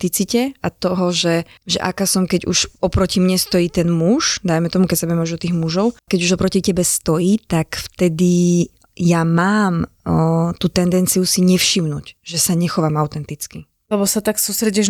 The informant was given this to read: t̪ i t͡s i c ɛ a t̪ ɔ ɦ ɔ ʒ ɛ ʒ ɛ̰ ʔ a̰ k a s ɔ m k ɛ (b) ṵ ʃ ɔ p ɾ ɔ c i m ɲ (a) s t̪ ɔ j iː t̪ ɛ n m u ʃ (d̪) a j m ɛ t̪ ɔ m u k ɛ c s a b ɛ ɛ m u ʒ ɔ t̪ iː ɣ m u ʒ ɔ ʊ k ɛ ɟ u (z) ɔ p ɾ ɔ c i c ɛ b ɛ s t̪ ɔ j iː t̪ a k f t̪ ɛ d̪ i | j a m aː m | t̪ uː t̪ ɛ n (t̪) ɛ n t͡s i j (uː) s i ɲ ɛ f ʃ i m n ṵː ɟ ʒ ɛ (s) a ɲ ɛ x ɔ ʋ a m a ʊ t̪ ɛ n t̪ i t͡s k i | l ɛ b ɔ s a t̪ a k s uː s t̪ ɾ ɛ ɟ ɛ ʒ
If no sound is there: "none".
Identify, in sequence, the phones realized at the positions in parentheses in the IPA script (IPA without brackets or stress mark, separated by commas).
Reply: ɟ, ɛ, d̪, ʒ, d̪, u, s